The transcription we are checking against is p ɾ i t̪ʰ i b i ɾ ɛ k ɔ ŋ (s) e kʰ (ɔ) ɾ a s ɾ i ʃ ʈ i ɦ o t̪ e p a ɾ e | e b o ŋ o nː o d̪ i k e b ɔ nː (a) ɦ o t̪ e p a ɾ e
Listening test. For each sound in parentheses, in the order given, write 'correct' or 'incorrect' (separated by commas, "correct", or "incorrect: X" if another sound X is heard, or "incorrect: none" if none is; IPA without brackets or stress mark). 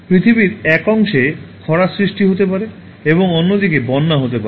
incorrect: ʃ, correct, correct